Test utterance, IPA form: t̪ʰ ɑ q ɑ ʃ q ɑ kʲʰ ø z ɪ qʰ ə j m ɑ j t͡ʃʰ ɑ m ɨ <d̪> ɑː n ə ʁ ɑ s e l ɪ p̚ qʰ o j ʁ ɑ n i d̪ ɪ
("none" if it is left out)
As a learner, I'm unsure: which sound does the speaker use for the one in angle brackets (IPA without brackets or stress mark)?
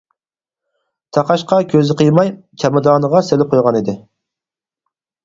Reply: d̪